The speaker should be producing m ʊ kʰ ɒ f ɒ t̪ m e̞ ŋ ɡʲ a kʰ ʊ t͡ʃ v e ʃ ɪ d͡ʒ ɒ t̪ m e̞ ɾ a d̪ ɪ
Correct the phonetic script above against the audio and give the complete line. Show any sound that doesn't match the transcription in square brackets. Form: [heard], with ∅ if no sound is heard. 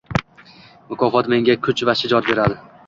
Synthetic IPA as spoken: m ʊ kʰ ɒ f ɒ t̪ m e̞ ŋ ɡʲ a kʰ ʊ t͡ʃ v [a] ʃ ɪ d͡ʒ ɒ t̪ [b] e̞ ɾ a d̪ ɪ